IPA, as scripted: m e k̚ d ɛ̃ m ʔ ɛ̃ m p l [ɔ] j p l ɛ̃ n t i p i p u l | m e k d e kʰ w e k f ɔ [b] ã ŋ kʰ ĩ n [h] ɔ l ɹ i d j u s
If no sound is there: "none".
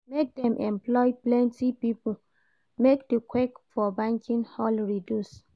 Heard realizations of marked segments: ɔ, b, h

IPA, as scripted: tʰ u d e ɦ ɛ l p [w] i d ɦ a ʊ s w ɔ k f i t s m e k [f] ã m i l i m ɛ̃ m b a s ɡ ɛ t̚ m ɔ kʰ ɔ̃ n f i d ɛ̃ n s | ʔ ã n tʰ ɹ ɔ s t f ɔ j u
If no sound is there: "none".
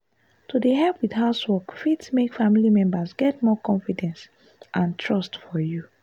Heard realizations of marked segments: w, f

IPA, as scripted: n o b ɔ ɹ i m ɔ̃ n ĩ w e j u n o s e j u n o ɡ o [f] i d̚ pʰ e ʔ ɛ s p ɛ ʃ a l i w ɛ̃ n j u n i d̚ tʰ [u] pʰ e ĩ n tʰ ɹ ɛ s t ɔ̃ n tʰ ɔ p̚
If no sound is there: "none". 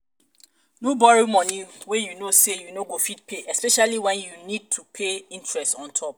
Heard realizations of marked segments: f, u

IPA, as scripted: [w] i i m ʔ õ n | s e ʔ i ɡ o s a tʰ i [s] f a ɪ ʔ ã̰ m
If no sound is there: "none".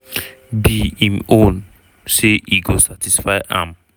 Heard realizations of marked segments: b, s

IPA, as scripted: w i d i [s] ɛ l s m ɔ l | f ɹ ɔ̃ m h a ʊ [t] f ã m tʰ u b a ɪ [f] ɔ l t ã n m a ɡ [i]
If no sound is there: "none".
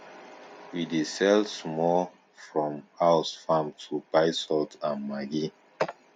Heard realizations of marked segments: s, s, s, i

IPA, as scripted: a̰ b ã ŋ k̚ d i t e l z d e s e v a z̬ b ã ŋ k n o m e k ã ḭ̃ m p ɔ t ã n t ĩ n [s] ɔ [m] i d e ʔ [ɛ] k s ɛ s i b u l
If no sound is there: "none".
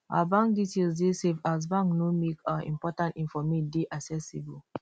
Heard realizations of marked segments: f, m, a

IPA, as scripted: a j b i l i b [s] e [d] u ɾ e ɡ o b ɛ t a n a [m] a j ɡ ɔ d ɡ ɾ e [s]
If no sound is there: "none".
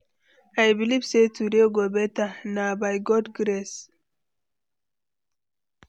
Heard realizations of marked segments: s, t, b, s

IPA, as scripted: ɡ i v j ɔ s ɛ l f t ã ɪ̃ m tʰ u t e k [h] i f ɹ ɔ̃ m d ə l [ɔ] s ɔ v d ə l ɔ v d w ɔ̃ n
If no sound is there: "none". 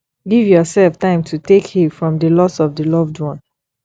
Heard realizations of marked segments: h, ɔ

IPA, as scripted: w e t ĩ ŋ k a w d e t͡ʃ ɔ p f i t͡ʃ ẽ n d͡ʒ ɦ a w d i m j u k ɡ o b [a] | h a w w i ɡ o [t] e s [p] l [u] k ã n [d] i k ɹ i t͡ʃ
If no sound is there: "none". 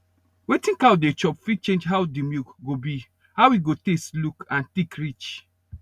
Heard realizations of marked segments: i, t, t, u, t

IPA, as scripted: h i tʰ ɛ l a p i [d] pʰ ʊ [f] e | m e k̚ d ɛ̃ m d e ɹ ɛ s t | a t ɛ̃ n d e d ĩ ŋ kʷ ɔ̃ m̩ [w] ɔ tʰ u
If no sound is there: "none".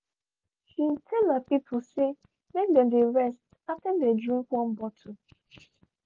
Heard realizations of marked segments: none, s, b

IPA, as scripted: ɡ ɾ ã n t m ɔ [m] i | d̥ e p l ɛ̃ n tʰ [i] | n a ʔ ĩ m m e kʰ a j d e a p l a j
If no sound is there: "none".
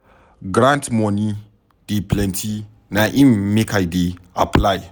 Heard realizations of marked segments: n, i

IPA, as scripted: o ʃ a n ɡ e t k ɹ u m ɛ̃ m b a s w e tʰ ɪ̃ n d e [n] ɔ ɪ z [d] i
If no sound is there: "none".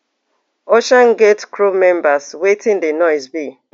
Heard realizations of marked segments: n, b

